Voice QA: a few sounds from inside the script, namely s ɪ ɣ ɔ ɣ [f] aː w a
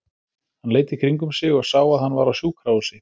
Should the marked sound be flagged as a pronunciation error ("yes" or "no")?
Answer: yes